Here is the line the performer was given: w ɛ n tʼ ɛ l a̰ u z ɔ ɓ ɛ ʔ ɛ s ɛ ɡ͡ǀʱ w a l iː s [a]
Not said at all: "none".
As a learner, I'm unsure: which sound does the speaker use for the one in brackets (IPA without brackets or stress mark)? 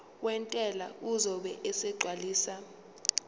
a